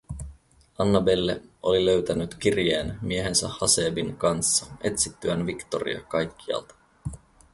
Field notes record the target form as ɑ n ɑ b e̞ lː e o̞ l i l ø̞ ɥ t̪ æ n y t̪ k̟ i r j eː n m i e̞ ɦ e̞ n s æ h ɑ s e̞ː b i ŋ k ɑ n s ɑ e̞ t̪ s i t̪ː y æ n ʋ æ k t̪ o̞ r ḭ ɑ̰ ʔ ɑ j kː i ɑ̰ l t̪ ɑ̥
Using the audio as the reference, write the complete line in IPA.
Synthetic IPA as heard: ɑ nː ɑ b e̞ lː e o̞ l i l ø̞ ɥ t̪ æ n y t̪ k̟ i r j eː n m i e̞ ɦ e̞ n s æ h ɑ s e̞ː b i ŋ k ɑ n sː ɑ e̞ t̪ s i t̪ː y æ n ʋ i k t̪ o̞ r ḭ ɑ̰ k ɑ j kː i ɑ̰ l t̪ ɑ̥